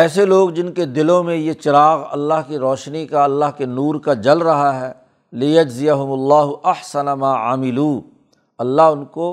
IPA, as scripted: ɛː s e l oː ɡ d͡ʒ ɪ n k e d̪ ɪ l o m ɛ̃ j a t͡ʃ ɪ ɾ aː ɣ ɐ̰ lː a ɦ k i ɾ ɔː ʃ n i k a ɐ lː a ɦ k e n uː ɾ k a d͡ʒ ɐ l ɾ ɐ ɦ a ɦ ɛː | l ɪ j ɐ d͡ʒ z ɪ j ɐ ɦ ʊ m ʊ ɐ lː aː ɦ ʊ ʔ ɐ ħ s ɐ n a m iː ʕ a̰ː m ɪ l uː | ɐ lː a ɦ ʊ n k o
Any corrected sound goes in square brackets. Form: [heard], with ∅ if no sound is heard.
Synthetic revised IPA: ɛː s e l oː ɡ d͡ʒ ɪ n k e d̪ ɪ l [õ] m [ẽ] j [e] t͡ʃ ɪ ɾ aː ɣ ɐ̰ lː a ɦ k i ɾ ɔː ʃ n i k a ɐ lː a ɦ k e n uː ɾ k a d͡ʒ ɐ l ɾ ɐ ɦ a ɦ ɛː | l ɪ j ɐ d͡ʒ z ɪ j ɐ ɦ ʊ m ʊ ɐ lː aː ɦ ʊ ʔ ɐ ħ s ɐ n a m [aː] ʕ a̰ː m ɪ l uː | ɐ lː a ɦ ʊ n k o